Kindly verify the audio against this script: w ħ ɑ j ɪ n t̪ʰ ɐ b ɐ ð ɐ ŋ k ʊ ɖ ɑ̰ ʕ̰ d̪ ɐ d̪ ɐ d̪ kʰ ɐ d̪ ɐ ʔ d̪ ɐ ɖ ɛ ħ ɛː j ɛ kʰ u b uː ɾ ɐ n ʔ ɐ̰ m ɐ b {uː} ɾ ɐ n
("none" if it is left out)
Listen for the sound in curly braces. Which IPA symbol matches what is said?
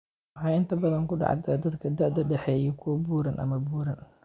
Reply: uː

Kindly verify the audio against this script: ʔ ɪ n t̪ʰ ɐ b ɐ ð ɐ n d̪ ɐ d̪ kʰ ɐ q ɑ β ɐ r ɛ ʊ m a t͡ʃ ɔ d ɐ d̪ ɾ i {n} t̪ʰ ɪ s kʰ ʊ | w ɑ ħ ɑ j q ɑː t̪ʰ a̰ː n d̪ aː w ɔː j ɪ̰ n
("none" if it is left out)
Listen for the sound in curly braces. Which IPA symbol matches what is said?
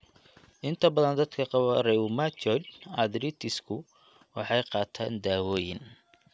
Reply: none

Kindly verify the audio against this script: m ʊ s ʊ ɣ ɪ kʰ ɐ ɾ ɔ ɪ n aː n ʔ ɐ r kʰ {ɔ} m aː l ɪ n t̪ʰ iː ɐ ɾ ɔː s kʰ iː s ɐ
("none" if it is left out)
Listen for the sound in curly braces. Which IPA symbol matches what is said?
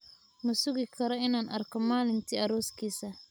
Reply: ɔ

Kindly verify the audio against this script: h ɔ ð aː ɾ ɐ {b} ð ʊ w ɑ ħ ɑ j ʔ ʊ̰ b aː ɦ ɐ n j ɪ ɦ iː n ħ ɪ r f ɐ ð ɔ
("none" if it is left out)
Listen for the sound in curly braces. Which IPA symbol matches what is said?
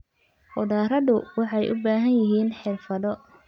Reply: none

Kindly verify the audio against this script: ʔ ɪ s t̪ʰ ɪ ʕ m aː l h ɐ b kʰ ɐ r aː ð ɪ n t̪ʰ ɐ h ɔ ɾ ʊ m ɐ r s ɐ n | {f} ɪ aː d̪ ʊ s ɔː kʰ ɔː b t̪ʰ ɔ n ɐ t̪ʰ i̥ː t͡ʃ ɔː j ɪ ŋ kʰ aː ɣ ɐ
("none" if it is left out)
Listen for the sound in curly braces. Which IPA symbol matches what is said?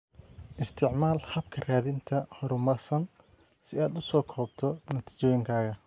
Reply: s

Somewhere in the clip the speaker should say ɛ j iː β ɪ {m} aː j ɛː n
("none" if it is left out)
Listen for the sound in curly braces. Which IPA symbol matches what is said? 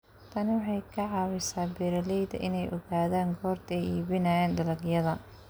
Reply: n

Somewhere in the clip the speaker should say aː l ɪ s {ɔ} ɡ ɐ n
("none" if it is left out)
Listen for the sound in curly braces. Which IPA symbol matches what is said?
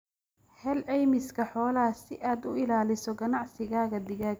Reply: ɔ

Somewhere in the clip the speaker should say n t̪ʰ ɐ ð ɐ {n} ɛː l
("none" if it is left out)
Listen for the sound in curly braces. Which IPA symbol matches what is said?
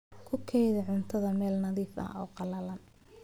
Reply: m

